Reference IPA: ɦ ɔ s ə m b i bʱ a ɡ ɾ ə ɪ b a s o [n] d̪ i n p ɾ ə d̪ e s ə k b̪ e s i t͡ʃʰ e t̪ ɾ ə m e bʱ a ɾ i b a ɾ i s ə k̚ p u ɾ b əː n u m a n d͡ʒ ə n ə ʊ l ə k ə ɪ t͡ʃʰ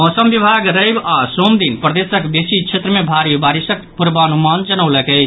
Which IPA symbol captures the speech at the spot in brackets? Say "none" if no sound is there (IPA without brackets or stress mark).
m